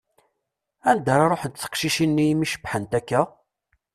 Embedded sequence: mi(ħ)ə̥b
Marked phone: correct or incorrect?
incorrect